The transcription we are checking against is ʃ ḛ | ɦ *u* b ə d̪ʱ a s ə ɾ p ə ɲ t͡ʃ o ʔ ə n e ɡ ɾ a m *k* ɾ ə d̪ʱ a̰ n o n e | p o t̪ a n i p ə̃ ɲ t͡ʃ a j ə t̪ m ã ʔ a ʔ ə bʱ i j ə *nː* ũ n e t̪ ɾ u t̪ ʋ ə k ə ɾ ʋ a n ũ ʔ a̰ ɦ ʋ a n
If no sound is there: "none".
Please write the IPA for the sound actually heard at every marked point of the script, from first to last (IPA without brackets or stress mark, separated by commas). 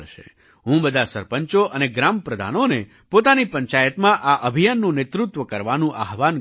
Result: ũ, p, nː